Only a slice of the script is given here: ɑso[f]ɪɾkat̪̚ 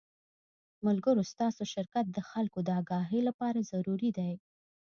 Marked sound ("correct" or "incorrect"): incorrect